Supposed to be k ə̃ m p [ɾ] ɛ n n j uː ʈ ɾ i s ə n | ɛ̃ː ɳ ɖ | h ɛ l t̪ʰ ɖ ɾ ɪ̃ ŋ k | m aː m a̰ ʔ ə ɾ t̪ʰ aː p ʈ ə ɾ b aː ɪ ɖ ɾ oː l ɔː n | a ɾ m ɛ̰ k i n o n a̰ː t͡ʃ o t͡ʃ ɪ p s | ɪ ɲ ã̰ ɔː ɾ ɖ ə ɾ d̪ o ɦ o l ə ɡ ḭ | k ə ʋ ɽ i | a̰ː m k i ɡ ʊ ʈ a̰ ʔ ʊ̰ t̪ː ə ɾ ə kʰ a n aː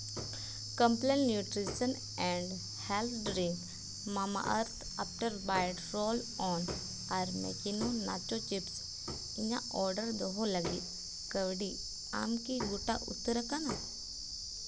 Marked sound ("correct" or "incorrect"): incorrect